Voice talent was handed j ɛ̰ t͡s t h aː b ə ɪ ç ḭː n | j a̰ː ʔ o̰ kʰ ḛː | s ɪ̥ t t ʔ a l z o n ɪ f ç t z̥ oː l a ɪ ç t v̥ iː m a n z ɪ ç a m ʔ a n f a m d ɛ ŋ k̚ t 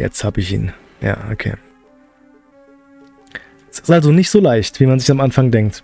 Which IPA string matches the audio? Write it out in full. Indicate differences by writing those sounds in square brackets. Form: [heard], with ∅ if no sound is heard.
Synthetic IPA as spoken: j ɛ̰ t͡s t h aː b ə ɪ ç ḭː n | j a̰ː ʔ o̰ kʰ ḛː | s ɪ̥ [s] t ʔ a l z o n ɪ [∅] ç t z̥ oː l a ɪ ç t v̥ iː m a n z ɪ ç a m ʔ a n f a [ŋ] d ɛ ŋ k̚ t